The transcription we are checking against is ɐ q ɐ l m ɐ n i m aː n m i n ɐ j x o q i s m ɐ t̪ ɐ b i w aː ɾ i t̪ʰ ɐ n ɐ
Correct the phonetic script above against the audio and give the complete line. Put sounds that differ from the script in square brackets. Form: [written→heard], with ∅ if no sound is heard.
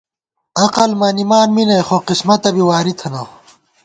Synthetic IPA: ɐ q ɐ l m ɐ n i m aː n m i n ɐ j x o q i s m ɐ t̪ ɐ b i w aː ɾ i t̪ʰ ɐ n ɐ